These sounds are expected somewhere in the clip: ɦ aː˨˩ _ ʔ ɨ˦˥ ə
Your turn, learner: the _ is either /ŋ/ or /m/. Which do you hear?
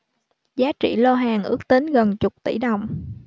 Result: ŋ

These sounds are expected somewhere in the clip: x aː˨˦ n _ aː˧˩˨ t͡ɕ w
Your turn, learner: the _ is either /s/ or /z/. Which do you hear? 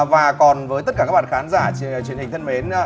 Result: z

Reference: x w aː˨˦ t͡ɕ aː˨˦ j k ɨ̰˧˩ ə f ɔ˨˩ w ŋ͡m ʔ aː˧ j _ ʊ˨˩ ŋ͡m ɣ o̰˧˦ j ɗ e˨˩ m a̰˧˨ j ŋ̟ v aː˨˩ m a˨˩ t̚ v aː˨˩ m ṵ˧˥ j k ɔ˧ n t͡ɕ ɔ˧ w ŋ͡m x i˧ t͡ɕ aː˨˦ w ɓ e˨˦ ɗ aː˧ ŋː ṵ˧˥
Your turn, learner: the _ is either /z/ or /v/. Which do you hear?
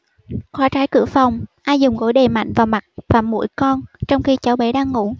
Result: z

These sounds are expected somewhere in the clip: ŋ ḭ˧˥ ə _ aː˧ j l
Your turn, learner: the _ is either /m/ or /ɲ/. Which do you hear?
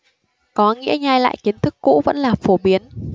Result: ɲ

